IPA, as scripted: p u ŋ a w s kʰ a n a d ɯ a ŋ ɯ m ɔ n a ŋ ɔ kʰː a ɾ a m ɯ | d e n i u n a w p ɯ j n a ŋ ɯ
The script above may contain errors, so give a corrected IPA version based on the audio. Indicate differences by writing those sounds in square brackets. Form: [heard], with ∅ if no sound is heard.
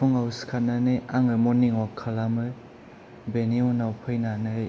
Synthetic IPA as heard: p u ŋ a w s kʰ a n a [n] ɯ a ŋ ɯ m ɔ n [i] ŋ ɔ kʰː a [l] a m ɯ | [b] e n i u n a w [pʰ] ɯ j n a [n] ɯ